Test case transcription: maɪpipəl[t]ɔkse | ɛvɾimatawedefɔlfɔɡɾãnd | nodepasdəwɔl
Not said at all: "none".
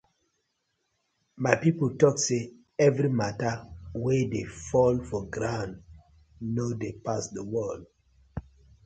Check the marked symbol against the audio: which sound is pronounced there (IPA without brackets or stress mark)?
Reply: t